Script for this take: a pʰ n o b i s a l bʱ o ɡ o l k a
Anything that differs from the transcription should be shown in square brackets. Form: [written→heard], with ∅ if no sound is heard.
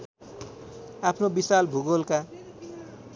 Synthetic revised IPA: a pʰ n o b i s a l bʱ [o→u] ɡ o l k a